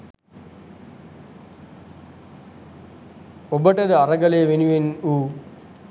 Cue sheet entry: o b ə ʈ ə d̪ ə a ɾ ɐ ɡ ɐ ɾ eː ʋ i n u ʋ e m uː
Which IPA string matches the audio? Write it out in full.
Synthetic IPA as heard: o b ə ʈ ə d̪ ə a ɾ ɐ ɡ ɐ l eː ʋ e n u ʋ e n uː